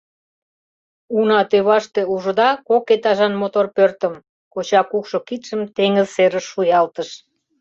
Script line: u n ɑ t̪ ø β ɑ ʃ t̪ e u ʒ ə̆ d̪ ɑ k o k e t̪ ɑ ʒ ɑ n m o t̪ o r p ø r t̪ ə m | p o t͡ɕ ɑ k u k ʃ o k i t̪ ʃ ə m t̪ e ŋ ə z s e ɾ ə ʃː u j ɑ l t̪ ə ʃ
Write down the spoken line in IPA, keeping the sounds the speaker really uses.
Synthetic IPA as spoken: u n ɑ t̪ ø β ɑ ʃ t̪ e u ʒ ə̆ d̪ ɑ k o k e t̪ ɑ ʒ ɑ n m o t̪ o r p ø r t̪ ə m | k o t͡ɕ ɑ k u k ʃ o k i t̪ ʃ ə m t̪ e ŋ ə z s e ɾ ə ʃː u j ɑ l t̪ ə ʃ